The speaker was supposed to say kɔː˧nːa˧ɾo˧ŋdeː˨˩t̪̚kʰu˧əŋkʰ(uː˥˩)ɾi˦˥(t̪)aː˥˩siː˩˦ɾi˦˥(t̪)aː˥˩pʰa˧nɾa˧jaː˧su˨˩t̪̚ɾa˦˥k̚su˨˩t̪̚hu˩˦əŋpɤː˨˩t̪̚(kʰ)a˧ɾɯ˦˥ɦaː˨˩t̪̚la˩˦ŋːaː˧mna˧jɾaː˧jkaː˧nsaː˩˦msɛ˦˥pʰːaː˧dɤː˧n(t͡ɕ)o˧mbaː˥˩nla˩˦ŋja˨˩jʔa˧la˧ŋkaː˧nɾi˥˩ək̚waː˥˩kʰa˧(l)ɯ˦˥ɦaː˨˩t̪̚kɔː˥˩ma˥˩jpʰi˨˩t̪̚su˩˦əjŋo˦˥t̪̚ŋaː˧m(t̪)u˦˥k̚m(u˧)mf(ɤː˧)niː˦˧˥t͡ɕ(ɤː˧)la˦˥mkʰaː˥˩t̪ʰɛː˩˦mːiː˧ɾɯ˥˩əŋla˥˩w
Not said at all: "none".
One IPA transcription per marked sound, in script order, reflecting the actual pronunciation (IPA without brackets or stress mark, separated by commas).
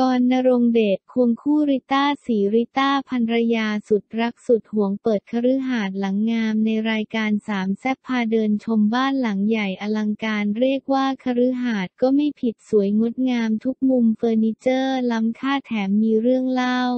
uː˥˩, t̪, t̪, kʰ, t͡ɕʰ, ɾ, t̪ʰ, u˧, ɤː˧, ɤː˥˩